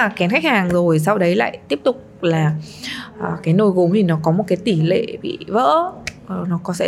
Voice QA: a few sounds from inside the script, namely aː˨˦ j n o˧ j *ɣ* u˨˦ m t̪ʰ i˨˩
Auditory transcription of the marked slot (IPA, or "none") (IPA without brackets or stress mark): ɣ